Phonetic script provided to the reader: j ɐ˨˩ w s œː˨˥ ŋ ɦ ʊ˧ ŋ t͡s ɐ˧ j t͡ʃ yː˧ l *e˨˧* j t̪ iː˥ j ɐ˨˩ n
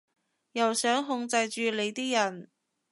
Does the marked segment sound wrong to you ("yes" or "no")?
no